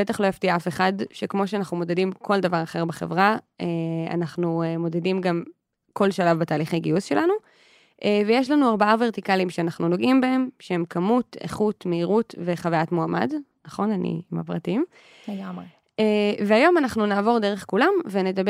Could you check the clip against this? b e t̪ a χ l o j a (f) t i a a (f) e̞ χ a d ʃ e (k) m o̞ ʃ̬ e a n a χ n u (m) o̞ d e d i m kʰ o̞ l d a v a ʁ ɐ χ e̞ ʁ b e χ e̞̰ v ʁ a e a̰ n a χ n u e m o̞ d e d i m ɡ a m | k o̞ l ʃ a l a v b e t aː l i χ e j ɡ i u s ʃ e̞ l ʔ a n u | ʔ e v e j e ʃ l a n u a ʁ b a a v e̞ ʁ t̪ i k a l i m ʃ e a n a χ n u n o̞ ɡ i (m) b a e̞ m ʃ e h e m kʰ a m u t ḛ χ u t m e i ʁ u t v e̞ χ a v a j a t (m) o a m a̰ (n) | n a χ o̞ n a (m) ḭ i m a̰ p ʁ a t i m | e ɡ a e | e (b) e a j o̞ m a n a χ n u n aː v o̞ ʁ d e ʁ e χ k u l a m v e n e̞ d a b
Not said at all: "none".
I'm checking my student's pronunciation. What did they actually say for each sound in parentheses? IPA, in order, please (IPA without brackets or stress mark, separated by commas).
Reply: f, f, k, m, m, m, d, n, v